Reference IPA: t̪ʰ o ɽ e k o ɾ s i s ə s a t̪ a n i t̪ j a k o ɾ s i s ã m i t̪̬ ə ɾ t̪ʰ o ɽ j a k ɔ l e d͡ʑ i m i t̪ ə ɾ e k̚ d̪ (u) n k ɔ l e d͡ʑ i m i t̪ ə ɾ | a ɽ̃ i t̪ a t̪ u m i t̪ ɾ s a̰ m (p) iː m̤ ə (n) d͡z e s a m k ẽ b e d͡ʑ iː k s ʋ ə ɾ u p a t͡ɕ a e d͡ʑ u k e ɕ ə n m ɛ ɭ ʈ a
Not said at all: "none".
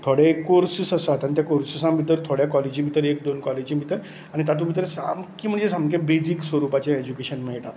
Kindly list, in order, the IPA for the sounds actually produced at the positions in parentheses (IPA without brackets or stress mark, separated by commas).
o, k, ɳ